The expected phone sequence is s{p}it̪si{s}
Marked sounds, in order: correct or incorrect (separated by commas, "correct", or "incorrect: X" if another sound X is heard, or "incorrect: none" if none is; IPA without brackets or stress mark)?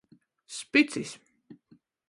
correct, correct